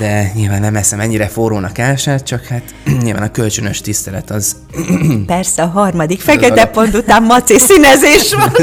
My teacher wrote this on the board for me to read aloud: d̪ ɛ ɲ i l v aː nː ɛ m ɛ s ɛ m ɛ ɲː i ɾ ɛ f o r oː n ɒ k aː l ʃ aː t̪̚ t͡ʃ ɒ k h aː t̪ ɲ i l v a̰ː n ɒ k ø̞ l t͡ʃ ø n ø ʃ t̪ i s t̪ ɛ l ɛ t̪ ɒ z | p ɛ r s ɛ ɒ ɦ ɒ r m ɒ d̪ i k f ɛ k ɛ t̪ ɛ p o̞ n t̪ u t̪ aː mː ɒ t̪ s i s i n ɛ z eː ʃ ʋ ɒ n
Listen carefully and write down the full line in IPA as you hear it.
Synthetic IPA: d̪ ɛ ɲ i l v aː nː ɛ m ɛ s ɛ m ɛ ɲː i ɾ ɛ f o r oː n ɒ k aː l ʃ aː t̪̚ t͡ʃ ɒ k h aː t̪ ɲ i l v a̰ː n ɒ k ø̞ l t͡ʃ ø n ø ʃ t̪ i s t̪ ɛ l ɛ t̪ ɒ z | p ɛ r s ɛ ɒ ɦ ɒ r m ɒ d̪ i k f ɛ k ɛ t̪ ɛ p o̞ n t̪ u t̪ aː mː ɒ t̪ s i s i n ɛ z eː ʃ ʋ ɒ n